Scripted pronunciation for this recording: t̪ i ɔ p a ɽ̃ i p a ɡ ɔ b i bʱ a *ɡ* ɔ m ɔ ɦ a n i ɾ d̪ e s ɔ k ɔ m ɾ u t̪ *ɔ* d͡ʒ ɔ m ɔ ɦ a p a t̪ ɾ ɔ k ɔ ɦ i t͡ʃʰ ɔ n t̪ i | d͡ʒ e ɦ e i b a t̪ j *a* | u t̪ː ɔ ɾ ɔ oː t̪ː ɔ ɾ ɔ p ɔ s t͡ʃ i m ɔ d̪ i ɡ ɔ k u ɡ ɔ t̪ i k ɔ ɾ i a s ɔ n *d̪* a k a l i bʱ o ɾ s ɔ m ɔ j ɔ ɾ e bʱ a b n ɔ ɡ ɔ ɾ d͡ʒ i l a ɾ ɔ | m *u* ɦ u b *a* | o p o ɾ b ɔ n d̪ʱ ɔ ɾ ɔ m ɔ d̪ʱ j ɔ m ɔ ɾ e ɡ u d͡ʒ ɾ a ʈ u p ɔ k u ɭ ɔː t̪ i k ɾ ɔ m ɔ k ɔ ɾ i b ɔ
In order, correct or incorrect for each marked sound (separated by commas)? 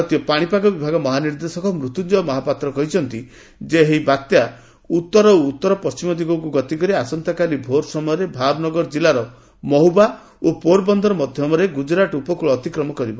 correct, incorrect, correct, incorrect, incorrect, correct